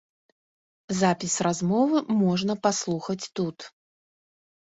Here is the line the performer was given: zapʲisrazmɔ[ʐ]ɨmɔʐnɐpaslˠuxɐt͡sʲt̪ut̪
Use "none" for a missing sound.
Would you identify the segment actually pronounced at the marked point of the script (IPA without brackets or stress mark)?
v